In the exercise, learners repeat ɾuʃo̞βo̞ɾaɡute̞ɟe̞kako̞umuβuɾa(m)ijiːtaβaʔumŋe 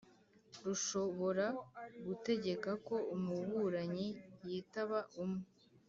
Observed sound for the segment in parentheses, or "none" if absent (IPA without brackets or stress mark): ɲ